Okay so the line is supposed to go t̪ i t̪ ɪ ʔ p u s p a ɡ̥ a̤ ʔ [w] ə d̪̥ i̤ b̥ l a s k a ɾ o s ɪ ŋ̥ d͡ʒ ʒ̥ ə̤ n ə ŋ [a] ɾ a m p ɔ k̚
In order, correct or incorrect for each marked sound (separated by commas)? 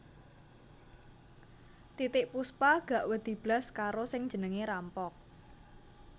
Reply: correct, incorrect